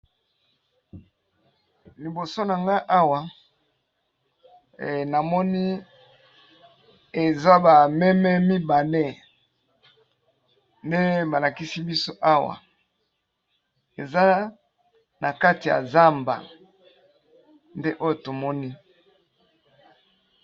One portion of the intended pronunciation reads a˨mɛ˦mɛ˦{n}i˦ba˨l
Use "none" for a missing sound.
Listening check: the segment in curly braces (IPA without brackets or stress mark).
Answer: m